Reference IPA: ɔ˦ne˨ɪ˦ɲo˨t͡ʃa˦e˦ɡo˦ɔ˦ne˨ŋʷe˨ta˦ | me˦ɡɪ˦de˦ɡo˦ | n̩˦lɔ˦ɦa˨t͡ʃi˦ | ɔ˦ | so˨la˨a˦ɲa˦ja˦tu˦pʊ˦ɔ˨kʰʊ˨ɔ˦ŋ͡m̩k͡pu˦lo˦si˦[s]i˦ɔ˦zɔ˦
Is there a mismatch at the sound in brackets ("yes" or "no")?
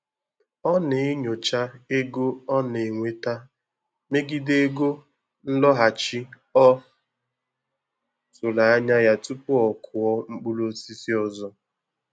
no